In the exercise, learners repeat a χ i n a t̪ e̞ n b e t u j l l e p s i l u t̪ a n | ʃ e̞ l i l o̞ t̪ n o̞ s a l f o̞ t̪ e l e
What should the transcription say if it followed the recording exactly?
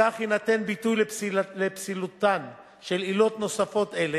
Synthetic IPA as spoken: a χ i n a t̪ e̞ n b i t u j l l e p s i l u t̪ a n | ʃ e̞ l i l o̞ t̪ n o̞ s a f o̞ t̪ e l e